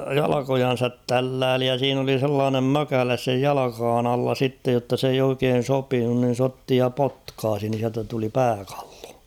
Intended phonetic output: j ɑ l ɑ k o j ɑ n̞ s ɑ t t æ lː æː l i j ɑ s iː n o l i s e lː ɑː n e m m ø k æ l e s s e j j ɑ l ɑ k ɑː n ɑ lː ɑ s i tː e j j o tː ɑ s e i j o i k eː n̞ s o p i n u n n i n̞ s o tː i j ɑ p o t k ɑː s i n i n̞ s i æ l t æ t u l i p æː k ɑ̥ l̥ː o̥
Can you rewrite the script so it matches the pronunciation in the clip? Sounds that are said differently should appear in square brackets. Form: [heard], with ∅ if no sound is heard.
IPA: j ɑ l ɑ k o j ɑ n̞ s ɑ t t æ lː æː l i j ɑ s iː n o l i s e lː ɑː n e m m ø k æ l e s s e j j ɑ l ɑ k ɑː n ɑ lː ɑ s i tː e j j o tː ɑ s e i j o i k eː n̞ s o p i n u n n i n̞ s o tː i j ɑ p o t k ɑː s i n i n̞ s i æ l t æ t u l i p æː k ɑ̥ l̥ː o̥